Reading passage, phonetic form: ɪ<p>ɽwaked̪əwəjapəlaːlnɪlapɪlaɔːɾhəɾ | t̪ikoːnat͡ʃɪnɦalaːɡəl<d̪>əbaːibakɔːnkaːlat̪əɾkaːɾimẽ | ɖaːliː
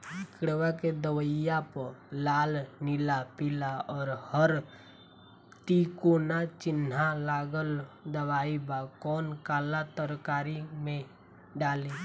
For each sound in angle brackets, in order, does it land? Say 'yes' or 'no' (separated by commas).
no, yes